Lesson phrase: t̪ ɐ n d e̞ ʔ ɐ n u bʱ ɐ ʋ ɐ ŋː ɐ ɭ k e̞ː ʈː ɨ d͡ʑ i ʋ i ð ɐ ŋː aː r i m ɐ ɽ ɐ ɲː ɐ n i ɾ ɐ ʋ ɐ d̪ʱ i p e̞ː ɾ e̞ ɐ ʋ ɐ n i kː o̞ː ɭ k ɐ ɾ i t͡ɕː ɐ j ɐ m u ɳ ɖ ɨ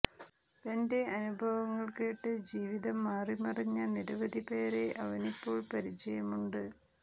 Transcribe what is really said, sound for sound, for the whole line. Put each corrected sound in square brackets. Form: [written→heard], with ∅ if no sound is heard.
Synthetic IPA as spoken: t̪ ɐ n d e̞ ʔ ɐ n u bʱ ɐ ʋ ɐ ŋː ɐ ɭ k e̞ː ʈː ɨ d͡ʑ [i→iː] ʋ i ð ɐ [ŋː→mː] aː r i m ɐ [ɽ→r] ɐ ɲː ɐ n i ɾ ɐ ʋ ɐ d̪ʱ i p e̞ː ɾ e̞ ɐ ʋ ɐ n i [kː→pː] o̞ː ɭ [k→p] ɐ ɾ i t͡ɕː ɐ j ɐ m u ɳ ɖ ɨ